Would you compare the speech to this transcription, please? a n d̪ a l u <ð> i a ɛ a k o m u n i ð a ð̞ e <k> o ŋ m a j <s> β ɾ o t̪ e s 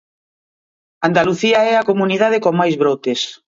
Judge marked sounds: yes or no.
no, yes, no

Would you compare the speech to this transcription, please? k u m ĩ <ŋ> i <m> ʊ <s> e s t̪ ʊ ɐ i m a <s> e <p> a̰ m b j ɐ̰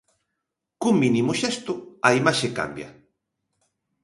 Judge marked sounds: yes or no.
no, yes, no, no, no

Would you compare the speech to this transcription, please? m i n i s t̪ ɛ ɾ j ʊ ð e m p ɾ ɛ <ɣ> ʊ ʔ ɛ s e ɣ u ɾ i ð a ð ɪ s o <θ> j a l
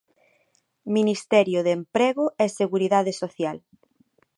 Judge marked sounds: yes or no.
yes, yes

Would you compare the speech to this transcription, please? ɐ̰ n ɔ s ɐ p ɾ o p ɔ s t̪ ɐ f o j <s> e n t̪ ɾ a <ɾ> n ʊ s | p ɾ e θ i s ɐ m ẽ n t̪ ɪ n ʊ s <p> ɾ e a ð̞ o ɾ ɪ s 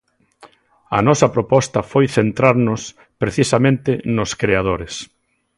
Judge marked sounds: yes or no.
no, yes, no

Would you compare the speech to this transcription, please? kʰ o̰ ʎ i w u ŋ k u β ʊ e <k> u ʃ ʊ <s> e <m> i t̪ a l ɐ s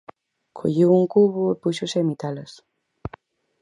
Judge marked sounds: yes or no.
no, yes, yes

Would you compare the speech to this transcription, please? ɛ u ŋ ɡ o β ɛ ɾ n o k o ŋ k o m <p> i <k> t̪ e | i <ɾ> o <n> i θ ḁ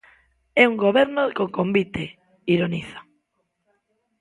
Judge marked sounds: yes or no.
no, no, yes, yes

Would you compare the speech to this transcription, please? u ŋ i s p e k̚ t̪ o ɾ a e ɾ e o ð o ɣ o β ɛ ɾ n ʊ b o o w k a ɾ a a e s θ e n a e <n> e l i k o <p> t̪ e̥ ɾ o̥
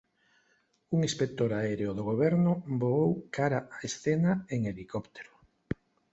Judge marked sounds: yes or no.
no, yes

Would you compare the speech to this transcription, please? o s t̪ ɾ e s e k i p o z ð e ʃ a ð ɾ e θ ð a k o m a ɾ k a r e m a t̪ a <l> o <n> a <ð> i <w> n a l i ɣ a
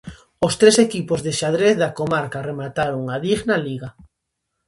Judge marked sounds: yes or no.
no, no, yes, no

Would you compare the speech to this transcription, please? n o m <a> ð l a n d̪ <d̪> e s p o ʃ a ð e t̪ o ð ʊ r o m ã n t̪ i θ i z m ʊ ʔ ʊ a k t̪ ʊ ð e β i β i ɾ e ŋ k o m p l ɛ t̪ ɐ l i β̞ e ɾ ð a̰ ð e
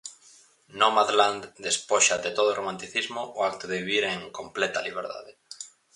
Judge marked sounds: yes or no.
yes, yes

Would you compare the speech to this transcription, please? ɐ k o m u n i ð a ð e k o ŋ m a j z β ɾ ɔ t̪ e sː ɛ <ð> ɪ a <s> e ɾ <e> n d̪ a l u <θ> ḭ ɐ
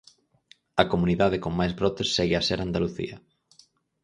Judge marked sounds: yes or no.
no, yes, no, yes

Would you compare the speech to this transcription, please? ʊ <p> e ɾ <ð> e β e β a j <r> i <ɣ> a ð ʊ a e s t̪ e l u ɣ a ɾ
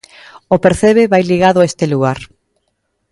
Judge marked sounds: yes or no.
yes, no, no, yes

